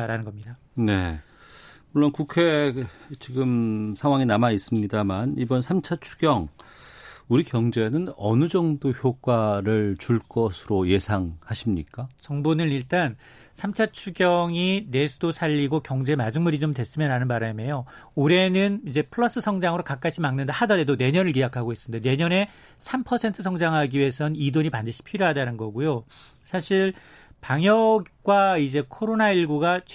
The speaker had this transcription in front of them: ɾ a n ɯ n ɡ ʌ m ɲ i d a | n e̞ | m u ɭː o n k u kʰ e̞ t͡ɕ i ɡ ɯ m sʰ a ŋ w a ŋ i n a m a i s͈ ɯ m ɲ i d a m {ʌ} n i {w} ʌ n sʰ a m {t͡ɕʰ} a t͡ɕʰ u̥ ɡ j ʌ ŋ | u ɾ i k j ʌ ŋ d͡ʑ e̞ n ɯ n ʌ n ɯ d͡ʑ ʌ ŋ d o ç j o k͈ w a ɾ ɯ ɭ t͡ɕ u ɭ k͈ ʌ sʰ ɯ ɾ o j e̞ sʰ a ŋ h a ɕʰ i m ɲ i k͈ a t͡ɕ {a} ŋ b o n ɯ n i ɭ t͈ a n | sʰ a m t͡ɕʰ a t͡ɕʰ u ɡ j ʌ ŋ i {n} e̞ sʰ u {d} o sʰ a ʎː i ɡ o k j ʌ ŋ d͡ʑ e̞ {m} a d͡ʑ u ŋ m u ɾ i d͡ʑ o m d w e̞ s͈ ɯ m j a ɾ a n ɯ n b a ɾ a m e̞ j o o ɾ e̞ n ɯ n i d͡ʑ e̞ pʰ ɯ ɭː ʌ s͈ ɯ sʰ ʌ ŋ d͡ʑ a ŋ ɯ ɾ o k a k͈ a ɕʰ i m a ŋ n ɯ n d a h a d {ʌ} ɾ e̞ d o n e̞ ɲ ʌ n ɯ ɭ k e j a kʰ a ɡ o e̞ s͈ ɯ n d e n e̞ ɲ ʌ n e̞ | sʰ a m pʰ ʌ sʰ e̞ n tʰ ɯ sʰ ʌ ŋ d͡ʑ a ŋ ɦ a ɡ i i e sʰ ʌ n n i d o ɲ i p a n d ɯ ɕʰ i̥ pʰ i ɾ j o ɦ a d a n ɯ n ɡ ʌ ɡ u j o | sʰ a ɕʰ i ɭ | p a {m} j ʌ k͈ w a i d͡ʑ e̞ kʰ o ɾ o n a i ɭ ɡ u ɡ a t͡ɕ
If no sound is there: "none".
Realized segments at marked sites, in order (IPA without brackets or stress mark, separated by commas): a, b, t͡ɕʰ, ʌ, n, d, m, ʌ, ŋ